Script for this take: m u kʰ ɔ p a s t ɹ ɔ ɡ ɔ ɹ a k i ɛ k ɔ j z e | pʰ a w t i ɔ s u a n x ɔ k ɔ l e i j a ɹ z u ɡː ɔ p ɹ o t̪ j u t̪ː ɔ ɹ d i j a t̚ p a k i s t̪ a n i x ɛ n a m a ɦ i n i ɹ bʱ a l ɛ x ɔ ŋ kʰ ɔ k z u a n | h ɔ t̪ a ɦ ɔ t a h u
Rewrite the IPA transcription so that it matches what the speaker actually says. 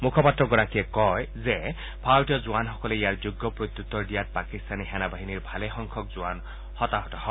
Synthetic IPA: m u kʰ ɔ p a t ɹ ɔ ɡ ɔ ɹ a k i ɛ k ɔ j z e | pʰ a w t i ɔ z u a n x ɔ k ɔ l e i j a ɹ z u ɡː ɔ p ɹ o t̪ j u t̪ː ɔ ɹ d i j a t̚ p a k i s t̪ a n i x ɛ n a b a ɦ i n i ɹ bʱ a l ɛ x ɔ ŋ kʰ ɔ k z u a n | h ɔ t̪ a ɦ ɔ t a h ɔ